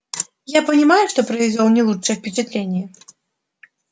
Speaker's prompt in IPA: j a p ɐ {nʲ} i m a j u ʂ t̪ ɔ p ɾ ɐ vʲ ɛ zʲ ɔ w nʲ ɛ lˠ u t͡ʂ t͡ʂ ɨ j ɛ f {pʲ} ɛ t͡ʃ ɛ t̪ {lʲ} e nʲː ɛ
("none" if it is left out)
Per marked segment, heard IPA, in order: nʲ, pʲ, lʲ

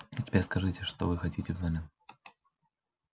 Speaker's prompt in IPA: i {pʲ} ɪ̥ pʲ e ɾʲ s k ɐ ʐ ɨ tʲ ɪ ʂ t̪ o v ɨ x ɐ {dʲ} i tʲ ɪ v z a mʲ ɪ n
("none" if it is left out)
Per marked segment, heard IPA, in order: tʲ, tʲ

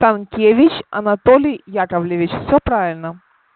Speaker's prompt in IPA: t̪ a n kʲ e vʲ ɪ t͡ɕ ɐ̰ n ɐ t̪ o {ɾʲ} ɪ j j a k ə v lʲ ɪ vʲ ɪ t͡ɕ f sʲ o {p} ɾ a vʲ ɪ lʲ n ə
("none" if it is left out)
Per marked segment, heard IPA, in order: lʲ, p

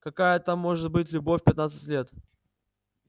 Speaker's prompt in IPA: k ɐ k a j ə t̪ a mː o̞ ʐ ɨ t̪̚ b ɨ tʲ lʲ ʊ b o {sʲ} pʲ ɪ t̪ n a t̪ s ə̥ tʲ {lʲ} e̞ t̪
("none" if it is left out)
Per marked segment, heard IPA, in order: fʲ, lʲ

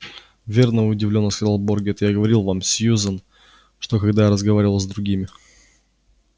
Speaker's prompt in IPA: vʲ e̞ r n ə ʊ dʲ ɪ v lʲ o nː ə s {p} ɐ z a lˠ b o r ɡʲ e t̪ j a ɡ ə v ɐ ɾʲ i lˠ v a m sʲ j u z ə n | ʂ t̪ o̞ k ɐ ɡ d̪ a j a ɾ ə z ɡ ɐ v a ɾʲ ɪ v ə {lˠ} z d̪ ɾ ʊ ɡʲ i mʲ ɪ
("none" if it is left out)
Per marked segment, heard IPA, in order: k, lˠ

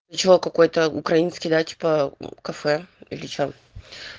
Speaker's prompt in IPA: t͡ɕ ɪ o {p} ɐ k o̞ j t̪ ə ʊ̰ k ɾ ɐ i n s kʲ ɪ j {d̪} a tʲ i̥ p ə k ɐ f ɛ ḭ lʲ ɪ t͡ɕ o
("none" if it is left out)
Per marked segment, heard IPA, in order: k, d̪

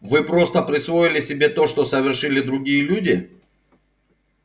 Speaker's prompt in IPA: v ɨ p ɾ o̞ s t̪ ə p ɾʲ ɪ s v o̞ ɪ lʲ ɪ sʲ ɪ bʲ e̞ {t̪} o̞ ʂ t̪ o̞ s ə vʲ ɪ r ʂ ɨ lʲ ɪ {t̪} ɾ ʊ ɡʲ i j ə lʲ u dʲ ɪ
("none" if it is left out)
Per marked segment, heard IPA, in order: t̪, d̪

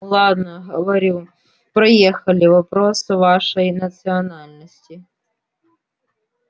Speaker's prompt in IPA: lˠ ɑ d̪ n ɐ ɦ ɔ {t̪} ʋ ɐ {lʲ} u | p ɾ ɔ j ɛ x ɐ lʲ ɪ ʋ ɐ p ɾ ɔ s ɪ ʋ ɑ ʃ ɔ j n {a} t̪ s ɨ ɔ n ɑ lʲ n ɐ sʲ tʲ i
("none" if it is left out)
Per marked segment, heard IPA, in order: none, ɾʲ, ɐ

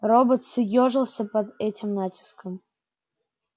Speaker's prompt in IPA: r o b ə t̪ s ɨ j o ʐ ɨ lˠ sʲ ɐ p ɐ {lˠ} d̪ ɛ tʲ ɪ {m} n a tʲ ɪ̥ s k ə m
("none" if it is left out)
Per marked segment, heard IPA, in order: none, m

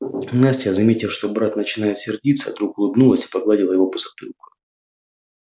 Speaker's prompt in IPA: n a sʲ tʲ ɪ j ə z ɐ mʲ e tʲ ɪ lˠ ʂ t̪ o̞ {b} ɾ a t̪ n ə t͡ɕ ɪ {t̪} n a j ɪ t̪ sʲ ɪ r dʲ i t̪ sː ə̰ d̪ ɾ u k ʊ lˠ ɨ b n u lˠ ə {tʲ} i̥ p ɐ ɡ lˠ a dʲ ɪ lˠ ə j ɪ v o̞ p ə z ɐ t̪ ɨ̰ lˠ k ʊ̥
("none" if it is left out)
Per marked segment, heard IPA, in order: b, none, sʲ

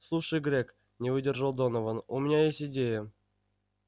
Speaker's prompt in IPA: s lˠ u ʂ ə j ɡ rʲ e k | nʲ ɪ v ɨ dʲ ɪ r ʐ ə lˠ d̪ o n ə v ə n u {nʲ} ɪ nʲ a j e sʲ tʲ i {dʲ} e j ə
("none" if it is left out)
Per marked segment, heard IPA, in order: mʲ, dʲ

